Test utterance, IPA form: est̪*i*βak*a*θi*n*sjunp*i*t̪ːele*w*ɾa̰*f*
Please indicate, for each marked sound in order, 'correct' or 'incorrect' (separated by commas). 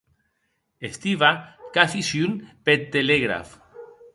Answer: correct, correct, incorrect, incorrect, incorrect, correct